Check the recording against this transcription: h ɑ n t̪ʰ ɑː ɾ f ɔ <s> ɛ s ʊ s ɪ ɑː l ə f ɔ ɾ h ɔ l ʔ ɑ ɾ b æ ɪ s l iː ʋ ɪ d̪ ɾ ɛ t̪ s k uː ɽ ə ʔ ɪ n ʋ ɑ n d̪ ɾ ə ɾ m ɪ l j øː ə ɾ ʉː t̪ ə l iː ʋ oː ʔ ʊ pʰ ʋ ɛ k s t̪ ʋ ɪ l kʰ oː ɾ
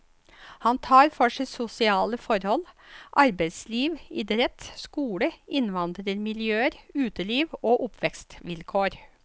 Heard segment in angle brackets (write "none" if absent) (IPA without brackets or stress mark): ʂ